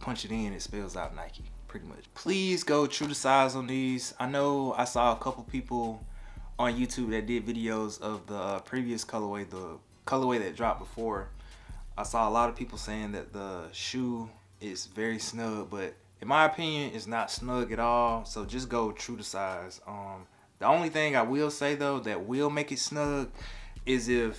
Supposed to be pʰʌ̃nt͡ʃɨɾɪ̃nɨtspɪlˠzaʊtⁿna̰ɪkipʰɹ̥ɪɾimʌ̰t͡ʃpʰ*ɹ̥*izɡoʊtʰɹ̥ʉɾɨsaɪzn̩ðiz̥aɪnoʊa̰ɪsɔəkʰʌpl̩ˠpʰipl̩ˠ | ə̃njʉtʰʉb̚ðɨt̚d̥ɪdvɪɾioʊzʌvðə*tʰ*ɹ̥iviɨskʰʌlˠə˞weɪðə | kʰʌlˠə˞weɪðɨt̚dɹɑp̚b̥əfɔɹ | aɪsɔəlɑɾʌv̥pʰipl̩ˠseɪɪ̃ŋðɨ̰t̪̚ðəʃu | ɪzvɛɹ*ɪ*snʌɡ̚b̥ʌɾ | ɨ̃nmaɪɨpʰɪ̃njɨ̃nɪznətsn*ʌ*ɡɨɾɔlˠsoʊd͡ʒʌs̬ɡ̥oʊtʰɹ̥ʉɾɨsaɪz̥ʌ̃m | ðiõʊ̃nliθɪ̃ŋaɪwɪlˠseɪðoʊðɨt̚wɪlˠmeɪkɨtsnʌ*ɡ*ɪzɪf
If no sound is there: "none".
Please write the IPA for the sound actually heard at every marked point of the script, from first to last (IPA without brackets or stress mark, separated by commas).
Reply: l̥, pʰ, i, ʌ, ɡ